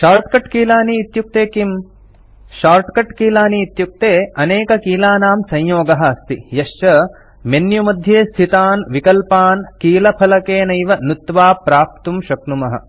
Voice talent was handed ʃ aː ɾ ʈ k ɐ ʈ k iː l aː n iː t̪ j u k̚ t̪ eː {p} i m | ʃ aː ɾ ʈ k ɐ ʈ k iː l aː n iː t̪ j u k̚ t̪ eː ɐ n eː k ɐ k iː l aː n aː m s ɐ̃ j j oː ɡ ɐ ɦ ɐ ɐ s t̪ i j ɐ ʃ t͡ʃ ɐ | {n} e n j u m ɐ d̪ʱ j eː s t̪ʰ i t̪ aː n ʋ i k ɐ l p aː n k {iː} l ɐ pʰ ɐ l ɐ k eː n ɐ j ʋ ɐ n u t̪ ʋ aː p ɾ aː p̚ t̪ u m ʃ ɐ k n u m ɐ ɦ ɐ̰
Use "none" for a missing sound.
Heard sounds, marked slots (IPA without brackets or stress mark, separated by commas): k, m, iː